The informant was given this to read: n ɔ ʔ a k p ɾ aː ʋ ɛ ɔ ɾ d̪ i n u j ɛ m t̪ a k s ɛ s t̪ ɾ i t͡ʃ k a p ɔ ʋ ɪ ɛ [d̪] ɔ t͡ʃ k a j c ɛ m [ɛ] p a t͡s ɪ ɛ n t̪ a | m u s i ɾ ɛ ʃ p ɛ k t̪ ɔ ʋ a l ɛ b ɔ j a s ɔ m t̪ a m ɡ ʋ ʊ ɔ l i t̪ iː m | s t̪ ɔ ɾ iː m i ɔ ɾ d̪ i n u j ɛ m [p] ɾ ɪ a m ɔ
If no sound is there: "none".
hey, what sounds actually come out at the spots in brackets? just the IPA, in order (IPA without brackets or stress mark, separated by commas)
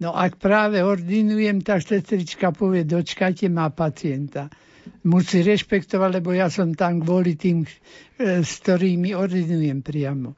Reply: d̪, a, p